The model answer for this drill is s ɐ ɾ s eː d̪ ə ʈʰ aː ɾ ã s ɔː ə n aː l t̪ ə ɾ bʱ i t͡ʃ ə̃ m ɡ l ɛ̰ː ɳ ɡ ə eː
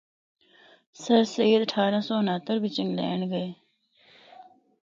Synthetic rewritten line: s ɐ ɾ s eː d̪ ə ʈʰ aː ɾ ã s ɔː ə n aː t̪ ə ɾ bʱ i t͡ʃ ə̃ ŋ ɡ l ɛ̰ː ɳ ɡ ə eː